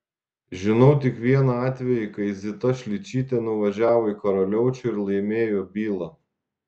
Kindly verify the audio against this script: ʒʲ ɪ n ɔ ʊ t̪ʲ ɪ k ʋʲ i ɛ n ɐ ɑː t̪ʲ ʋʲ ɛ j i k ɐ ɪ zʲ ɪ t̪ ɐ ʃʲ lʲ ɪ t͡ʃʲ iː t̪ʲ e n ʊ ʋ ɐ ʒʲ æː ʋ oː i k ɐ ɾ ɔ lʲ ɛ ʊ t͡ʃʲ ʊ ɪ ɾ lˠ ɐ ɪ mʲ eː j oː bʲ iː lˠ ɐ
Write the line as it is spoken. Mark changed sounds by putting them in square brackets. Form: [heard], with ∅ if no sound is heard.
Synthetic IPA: ʒʲ ɪ n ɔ ʊ t̪ʲ ɪ k ʋʲ i ɛ n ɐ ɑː t̪ʲ ʋʲ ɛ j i k ɐ ɪ zʲ ɪ t̪ ɐ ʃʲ lʲ ɪ t͡ʃʲ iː t̪ʲ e n ʊ ʋ ɐ ʒʲ æː ʋ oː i k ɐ ɾ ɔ lʲ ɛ ʊ t͡ʃʲ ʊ ɪ ɾ lˠ ɐ ɪ mʲ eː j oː bʲ iː lˠ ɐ